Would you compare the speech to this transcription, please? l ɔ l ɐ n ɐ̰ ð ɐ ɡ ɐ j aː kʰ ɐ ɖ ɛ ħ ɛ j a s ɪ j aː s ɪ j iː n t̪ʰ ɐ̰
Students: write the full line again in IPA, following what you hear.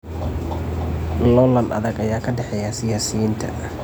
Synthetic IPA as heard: l ɔ l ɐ n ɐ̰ ð ɐ ɡ ɐ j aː kʰ ɐ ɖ ɛ ħ ɛ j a s ɪ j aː s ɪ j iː n t̪ʰ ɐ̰